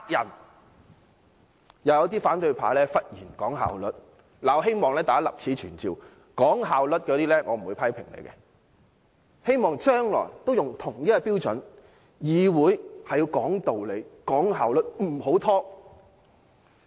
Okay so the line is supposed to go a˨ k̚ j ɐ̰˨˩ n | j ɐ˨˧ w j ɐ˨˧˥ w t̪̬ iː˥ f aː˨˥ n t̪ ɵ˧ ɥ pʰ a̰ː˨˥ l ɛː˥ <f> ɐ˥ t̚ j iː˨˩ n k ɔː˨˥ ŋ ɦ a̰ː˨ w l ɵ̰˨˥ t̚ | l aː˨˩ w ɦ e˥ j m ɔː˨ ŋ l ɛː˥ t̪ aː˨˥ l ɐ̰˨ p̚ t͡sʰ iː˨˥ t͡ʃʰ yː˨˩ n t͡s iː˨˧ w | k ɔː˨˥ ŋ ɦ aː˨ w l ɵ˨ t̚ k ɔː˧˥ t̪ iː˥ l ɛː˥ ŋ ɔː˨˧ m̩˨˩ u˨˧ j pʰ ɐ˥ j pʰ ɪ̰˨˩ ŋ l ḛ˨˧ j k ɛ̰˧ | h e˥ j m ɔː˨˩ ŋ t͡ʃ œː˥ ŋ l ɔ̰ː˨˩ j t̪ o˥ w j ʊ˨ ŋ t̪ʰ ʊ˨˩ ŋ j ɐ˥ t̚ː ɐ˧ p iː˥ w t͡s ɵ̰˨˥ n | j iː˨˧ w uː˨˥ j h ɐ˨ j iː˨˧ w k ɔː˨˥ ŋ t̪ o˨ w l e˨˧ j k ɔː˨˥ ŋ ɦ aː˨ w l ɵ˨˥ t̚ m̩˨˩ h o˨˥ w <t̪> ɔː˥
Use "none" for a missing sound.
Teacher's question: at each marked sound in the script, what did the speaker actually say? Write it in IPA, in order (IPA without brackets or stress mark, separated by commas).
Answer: f, t̪ʰ